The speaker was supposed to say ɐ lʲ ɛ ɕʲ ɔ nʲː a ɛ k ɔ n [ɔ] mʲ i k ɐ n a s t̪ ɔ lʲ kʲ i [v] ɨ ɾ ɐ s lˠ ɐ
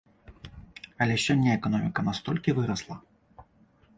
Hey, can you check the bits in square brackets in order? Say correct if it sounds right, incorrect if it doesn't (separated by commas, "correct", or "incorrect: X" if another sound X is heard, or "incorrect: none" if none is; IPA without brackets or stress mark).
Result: correct, correct